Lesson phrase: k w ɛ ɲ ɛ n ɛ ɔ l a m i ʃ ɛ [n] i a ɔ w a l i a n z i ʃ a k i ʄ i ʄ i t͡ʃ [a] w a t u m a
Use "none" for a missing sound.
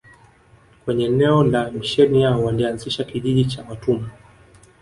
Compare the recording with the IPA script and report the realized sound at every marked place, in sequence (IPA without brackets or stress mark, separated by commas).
n, a